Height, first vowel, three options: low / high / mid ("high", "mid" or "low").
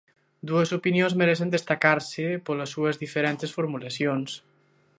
high